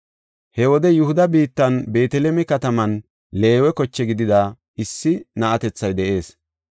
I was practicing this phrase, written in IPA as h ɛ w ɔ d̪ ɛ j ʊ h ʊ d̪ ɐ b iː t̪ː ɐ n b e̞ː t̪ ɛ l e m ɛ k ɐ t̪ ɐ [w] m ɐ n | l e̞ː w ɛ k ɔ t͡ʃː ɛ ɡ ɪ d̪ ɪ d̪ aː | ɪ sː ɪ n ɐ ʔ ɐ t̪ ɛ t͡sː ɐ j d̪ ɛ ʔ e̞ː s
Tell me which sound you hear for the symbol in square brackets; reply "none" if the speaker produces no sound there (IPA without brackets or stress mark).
none